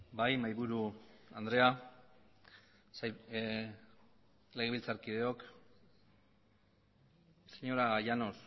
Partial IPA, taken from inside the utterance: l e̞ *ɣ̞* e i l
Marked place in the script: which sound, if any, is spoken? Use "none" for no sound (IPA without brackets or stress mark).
ɣ̞